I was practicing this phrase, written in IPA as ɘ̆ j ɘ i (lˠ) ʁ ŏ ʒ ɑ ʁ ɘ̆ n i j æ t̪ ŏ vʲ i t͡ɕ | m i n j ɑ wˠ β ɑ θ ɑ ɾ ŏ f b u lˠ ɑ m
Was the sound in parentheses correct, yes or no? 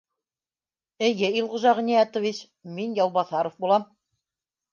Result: yes